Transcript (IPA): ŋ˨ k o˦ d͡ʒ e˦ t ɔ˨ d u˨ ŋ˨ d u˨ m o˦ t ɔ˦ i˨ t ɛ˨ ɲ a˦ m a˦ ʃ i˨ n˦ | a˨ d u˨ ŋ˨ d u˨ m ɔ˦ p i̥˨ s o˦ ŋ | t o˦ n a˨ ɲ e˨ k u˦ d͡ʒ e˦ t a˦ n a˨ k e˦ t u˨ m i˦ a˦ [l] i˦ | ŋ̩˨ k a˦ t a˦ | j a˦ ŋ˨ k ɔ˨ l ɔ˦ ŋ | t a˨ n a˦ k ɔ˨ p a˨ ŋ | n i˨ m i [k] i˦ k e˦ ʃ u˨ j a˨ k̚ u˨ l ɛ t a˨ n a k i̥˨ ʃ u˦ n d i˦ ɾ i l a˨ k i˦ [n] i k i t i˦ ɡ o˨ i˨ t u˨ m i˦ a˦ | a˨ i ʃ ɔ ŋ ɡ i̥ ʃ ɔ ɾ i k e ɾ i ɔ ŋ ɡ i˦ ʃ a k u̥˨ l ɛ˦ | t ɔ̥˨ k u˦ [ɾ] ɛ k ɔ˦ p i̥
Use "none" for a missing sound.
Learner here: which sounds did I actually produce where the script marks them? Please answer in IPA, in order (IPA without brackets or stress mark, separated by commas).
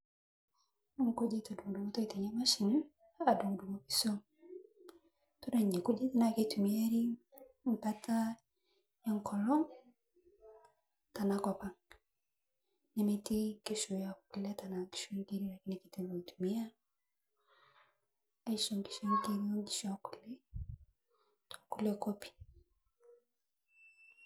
ɾ, t, n, l